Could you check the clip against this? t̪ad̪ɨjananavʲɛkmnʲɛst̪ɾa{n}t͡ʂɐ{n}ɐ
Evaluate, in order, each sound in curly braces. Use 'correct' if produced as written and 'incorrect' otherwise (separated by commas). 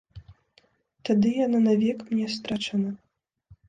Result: incorrect, correct